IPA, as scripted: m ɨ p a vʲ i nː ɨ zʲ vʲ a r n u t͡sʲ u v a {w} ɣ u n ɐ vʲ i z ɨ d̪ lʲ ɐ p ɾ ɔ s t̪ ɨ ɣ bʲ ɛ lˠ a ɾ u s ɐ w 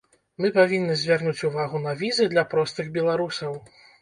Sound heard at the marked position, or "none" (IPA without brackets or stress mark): none